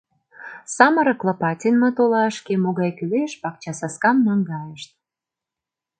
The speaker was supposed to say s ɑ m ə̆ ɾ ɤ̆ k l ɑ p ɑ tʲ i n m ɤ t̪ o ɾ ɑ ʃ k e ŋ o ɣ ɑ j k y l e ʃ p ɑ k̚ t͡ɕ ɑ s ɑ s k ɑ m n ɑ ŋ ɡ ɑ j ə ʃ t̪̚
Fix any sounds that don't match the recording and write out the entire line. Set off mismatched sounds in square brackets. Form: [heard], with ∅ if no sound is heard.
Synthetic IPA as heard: s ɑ m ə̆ ɾ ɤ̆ k l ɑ p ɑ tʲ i n m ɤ t̪ o [l] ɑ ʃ k e [m] o ɣ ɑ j k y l e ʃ p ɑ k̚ t͡ɕ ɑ s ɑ s k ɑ m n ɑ ŋ ɡ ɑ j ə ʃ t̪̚